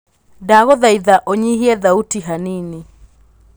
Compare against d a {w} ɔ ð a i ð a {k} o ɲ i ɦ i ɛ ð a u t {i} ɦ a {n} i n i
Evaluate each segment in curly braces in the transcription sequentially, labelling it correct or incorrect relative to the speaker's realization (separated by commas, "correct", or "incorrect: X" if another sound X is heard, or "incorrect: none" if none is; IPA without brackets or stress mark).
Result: incorrect: ɣ, incorrect: ʔ, correct, correct